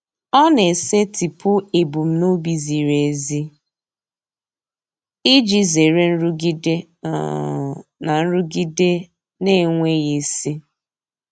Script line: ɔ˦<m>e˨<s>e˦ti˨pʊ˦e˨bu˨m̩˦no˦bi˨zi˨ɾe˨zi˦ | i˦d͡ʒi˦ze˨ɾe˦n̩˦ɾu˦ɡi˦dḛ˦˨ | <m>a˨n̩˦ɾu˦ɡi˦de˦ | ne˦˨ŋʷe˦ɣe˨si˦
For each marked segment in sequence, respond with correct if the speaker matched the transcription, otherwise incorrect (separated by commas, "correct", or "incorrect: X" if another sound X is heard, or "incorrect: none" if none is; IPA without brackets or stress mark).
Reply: incorrect: n, correct, incorrect: n